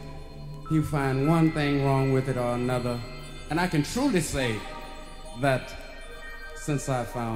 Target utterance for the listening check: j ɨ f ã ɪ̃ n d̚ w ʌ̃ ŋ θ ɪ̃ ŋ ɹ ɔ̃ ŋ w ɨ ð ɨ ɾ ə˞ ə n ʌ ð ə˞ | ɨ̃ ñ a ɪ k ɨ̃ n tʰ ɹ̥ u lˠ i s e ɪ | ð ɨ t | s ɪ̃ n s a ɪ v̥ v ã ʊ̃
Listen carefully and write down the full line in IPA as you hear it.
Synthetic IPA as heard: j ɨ f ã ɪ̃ n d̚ w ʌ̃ n θ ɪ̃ ŋ ɹ ɔ̃ ŋ w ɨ ð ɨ ɾ ə˞ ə n ʌ ð ə˞ | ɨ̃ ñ a ɪ k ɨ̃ n tʰ ɹ̥ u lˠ i s e ɪ | ð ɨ t | s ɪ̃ n s a ɪ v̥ f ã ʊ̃